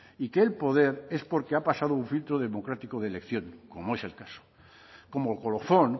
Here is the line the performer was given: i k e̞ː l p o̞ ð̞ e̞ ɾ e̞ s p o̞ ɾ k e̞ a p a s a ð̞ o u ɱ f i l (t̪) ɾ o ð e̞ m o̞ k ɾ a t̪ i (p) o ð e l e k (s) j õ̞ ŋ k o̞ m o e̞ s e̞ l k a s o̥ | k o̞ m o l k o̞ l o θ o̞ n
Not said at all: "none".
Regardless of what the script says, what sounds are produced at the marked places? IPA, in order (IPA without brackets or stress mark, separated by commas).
t̪, k, θ